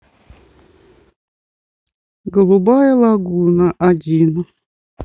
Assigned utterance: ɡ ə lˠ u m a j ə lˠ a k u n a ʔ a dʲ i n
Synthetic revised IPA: ɡ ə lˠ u b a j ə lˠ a ɡ u n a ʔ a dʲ i n